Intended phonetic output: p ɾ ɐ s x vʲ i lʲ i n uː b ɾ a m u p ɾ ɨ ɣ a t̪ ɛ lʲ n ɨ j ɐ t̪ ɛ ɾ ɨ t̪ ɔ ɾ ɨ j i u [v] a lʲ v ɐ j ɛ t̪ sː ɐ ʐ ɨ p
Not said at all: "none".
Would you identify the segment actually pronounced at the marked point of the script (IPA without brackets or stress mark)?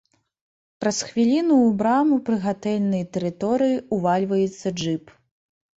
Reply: v